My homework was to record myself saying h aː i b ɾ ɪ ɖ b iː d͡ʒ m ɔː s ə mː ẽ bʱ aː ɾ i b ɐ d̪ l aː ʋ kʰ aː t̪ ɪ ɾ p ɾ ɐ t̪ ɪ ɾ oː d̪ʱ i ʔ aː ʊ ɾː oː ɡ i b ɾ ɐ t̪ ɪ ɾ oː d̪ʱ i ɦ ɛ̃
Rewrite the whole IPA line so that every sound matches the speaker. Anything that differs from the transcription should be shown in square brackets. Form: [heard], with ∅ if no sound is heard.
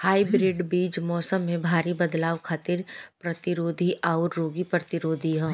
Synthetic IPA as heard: h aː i b ɾ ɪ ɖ b iː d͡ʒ m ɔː s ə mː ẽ bʱ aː ɾ i b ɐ d̪ l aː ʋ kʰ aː t̪ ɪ ɾ p ɾ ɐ t̪ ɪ ɾ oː d̪ʱ i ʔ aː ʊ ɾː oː ɡ i [p] ɾ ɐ t̪ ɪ ɾ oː d̪ʱ i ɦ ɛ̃